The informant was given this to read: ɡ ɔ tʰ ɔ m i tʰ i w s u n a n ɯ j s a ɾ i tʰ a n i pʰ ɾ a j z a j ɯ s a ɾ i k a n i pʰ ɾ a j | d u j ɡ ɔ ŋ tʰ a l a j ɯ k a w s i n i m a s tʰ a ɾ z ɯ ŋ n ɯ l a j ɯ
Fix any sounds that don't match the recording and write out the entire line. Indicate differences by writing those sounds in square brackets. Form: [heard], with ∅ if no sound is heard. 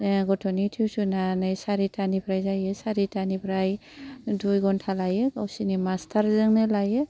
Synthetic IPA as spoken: ɡ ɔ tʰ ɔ [n] i tʰ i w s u n a n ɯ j s a ɾ i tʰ a n i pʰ ɾ a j z a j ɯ s a ɾ i [t] a n i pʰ ɾ a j | d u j ɡ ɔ [n] tʰ a l a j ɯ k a w s i n i m a s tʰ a ɾ z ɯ ŋ n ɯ l a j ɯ